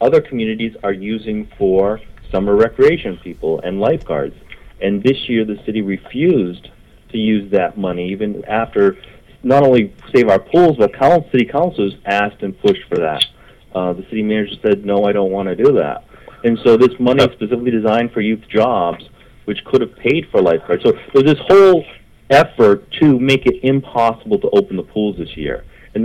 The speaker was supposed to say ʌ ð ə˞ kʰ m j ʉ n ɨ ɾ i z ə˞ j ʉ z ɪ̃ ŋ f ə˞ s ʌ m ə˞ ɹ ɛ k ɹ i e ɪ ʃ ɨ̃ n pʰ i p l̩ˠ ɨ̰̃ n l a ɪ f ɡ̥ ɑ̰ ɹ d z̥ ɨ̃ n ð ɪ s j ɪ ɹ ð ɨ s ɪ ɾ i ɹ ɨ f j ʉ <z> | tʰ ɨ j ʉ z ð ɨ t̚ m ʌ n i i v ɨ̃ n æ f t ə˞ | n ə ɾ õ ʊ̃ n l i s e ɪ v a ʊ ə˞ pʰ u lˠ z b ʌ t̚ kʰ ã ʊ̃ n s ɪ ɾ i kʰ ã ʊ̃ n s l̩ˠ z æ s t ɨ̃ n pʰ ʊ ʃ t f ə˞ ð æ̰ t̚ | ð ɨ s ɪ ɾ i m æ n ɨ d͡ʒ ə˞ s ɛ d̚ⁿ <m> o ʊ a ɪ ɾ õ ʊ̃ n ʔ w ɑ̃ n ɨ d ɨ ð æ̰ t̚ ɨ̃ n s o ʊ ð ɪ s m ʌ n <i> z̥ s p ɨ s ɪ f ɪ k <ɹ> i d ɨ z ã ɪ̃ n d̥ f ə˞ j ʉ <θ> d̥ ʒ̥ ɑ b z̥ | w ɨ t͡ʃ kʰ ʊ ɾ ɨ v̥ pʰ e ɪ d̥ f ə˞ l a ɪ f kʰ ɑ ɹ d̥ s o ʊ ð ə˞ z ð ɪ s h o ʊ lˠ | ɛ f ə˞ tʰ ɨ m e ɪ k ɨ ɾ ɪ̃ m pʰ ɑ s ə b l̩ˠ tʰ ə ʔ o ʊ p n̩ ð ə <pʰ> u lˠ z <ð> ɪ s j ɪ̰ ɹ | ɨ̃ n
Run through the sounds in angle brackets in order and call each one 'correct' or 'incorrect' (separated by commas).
correct, incorrect, correct, incorrect, correct, correct, correct